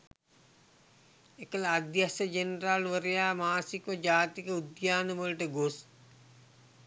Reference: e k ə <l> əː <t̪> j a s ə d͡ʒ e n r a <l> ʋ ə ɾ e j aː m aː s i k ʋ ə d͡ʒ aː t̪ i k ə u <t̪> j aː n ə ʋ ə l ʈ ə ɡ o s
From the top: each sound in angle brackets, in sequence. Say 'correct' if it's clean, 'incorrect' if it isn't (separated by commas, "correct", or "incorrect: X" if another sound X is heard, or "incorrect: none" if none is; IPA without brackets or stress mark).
correct, incorrect: d̪, correct, incorrect: d̪